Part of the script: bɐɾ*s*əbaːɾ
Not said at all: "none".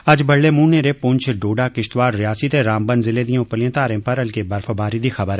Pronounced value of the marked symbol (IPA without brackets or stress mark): f